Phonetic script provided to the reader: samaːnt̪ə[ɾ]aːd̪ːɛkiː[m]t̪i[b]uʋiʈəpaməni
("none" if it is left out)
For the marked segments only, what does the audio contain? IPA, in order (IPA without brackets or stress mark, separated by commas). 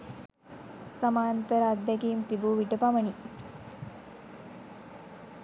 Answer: ɾ, m, b